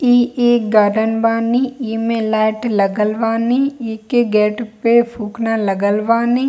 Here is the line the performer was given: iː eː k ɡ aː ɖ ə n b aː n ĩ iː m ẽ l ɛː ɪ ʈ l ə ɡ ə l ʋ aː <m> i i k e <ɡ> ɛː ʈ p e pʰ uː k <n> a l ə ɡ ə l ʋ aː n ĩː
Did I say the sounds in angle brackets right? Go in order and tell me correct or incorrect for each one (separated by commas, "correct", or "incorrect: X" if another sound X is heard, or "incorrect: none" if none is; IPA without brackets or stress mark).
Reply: incorrect: n, correct, correct